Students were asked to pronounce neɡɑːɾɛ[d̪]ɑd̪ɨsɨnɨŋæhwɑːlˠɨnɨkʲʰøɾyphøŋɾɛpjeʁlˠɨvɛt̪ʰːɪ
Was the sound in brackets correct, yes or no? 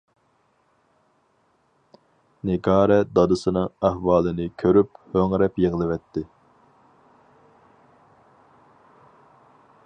yes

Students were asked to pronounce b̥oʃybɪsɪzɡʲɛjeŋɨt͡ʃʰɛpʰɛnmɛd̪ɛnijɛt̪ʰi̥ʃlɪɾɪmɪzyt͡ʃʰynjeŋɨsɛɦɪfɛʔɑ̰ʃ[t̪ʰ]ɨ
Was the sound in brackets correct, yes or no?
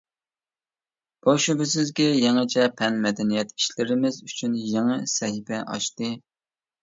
no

